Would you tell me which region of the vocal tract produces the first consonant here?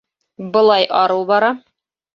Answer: lips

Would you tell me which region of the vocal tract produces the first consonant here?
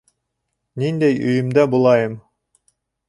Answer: tongue tip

